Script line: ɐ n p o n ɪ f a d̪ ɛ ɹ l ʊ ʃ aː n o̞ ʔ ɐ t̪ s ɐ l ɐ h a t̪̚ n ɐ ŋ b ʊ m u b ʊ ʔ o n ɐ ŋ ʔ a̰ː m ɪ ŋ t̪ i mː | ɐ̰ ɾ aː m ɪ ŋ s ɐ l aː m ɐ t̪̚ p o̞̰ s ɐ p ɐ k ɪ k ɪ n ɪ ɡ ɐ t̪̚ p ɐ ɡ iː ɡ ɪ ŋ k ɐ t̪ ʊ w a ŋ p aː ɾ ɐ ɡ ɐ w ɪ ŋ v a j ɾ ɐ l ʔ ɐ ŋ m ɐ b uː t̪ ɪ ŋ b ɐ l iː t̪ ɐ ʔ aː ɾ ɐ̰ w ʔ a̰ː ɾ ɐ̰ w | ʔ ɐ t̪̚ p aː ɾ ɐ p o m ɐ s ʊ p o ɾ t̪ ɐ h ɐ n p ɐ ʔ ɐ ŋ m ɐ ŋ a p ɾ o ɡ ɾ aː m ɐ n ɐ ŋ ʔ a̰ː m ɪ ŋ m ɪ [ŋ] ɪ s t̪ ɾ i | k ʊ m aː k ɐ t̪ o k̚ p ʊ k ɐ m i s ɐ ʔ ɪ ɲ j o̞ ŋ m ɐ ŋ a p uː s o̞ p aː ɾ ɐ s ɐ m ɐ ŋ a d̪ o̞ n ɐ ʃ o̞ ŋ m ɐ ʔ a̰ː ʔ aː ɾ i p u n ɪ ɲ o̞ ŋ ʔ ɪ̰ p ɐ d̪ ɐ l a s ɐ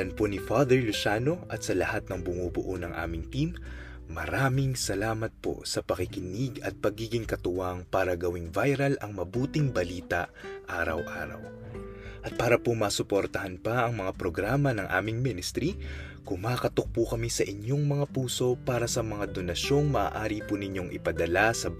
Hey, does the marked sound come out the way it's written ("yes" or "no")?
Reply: no